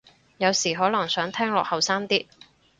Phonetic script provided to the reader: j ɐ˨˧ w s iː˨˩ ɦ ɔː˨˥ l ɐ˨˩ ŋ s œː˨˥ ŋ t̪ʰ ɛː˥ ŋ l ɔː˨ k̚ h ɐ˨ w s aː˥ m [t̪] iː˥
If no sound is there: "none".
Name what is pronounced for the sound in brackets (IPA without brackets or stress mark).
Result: t̪